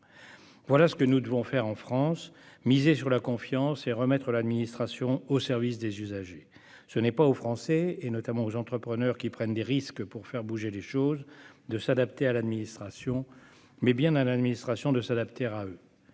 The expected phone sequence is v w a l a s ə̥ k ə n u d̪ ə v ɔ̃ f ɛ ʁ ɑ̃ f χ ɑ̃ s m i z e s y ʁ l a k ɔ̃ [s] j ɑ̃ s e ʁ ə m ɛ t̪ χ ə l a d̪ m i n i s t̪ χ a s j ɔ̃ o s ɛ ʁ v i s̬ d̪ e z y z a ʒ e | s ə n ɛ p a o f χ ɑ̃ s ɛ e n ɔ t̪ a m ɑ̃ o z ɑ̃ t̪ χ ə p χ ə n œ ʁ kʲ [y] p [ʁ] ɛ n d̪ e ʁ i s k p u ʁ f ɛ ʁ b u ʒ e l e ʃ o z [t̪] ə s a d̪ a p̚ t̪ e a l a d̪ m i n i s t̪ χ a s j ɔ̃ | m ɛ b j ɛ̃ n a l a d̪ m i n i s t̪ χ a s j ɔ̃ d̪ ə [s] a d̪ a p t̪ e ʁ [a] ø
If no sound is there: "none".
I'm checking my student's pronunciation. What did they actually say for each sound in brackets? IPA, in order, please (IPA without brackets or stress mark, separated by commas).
f, i, χ, d̪, s, a